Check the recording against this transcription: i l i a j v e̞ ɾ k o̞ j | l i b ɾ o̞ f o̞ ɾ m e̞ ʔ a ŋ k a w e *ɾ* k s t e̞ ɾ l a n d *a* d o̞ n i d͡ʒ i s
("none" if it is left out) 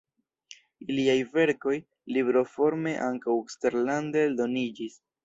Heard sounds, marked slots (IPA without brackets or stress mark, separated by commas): none, e